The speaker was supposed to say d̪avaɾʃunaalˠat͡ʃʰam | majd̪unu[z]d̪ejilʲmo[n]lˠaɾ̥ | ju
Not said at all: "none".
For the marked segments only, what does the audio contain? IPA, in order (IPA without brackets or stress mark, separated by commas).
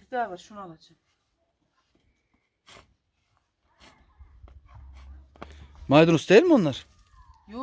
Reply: s, n